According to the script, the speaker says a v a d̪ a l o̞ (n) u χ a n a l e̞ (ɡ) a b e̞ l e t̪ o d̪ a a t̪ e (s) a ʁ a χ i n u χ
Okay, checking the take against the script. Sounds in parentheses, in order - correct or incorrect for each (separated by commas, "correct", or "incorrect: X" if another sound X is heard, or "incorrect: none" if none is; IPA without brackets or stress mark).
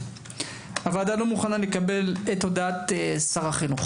incorrect: m, incorrect: k, correct